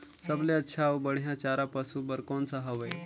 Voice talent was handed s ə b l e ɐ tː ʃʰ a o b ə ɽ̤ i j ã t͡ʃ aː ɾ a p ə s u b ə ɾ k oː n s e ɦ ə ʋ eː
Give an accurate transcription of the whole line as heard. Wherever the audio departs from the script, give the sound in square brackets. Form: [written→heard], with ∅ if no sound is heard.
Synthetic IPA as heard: s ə b l e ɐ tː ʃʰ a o b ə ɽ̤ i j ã t͡ʃ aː ɾ a p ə s u b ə ɾ k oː n s [e→a] ɦ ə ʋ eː